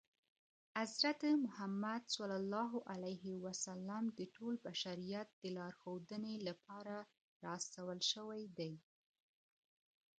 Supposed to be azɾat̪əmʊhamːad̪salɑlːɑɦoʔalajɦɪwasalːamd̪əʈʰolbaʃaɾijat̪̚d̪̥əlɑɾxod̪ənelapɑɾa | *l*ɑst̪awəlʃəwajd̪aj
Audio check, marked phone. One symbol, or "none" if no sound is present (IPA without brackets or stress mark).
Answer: ɾ